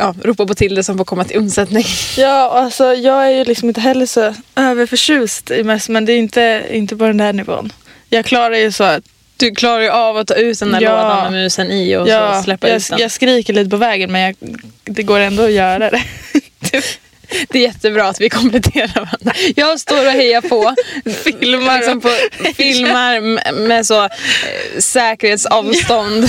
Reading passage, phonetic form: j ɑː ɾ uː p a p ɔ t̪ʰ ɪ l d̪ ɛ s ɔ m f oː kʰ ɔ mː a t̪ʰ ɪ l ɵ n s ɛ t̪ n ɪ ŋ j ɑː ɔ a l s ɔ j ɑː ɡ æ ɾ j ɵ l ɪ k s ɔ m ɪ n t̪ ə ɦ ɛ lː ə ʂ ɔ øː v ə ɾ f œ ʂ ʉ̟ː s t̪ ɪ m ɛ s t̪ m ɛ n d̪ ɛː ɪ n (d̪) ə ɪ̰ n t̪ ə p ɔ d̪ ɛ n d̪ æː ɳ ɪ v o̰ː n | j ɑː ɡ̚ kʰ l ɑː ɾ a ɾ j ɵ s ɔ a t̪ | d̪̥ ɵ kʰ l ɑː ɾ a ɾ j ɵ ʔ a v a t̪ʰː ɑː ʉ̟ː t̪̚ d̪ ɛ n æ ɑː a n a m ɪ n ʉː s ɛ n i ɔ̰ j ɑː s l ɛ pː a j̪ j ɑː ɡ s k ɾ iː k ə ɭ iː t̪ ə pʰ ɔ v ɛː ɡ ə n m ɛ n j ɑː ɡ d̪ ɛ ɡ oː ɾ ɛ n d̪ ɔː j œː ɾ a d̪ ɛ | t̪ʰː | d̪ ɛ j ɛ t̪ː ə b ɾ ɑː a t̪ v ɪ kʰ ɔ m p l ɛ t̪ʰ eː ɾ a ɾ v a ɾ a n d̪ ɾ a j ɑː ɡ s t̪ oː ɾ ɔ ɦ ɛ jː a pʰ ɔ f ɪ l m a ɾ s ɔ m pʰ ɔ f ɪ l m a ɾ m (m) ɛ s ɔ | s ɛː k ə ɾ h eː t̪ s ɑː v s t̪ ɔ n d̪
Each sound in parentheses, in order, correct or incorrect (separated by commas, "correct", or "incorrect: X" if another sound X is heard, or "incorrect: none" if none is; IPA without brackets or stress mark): incorrect: t̪, correct